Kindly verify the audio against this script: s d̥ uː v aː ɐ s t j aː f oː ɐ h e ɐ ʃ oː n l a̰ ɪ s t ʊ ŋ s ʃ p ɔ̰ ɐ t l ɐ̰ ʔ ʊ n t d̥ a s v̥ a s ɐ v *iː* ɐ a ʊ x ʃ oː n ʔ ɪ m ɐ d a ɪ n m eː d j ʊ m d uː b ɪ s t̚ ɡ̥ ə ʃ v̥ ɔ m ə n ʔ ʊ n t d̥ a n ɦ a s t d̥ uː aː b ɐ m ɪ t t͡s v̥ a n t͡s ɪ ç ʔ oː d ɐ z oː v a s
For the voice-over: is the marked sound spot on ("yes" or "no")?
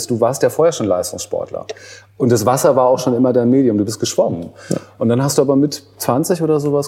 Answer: no